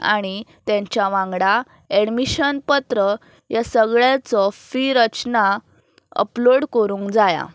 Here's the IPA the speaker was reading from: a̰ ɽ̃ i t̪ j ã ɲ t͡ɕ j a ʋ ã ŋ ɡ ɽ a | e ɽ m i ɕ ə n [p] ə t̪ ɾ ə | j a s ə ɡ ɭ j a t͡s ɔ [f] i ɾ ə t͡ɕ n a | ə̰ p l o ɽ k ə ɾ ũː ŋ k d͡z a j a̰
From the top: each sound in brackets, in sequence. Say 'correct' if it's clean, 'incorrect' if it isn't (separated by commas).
correct, correct